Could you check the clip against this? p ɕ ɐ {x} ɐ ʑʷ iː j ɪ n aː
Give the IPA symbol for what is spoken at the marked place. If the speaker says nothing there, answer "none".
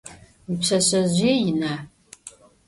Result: ɕ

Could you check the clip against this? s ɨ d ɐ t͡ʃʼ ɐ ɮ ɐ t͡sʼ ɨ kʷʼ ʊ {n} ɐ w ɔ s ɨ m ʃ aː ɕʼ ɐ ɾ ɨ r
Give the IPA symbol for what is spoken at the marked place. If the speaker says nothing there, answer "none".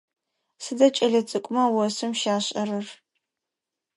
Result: m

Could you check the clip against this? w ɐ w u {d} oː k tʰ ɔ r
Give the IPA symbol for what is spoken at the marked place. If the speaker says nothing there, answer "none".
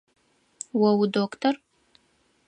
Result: d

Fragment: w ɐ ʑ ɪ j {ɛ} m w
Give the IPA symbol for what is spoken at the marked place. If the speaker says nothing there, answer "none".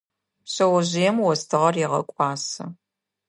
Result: ɛ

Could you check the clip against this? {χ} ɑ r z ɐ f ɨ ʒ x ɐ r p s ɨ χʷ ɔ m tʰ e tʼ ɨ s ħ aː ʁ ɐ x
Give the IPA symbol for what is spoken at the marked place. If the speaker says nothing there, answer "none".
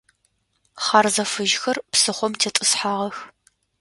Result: χ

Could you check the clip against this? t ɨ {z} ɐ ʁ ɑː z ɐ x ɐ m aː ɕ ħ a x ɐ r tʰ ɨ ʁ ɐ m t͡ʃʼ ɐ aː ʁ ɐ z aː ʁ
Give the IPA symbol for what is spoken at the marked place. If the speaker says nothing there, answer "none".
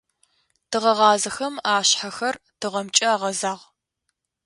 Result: ʁ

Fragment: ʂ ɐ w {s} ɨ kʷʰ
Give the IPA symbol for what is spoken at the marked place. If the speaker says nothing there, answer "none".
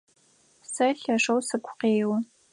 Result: s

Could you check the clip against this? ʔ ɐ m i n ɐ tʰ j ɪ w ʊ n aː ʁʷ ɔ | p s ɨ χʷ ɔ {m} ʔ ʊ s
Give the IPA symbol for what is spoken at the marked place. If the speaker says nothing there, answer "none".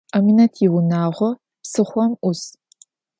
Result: m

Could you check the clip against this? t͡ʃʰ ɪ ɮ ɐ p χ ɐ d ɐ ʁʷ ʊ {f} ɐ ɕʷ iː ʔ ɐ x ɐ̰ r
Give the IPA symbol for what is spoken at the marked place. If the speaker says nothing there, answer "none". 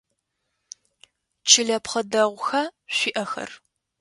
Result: x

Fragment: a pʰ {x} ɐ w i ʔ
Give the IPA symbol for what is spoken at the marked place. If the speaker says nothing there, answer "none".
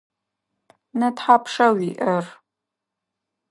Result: ʂ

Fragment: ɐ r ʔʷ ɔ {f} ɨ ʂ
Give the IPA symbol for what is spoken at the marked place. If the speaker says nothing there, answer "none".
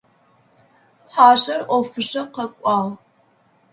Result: f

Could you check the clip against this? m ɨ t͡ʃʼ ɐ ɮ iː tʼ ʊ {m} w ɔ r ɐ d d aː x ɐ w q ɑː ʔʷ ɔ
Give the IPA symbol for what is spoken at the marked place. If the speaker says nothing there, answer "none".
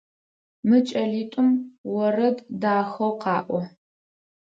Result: m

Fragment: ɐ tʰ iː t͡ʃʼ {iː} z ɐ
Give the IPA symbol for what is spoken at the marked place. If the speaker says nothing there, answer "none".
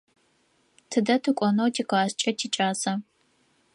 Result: aː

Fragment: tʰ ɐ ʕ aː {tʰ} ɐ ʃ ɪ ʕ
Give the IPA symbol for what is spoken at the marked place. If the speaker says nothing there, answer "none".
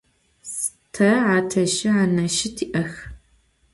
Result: tʰ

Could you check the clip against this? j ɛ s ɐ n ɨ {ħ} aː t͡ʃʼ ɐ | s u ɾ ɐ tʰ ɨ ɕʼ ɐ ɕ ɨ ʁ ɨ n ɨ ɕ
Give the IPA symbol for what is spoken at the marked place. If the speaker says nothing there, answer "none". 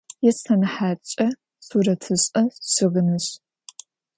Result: ħ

